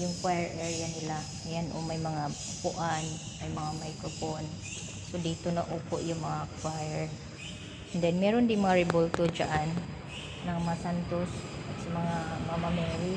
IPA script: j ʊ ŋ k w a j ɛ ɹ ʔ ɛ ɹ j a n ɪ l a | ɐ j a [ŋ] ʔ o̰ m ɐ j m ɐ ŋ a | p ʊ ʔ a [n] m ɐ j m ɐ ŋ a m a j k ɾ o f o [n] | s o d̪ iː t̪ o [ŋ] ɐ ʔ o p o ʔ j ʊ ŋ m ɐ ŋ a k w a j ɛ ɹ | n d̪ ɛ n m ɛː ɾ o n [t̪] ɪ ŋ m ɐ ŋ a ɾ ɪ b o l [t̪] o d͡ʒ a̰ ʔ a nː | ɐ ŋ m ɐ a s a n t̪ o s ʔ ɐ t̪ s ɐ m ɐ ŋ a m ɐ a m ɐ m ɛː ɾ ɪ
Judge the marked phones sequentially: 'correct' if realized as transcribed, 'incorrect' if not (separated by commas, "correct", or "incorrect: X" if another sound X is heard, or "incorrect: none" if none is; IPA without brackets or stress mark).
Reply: incorrect: n, correct, correct, incorrect: n, incorrect: d̪, correct